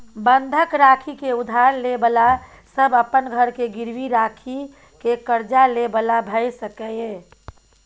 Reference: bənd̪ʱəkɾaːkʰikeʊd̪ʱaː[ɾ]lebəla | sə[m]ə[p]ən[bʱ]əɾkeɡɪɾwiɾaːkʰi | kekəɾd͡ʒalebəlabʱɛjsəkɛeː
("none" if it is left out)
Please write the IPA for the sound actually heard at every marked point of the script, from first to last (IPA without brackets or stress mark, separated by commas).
ɾ, b, p, ɡʱ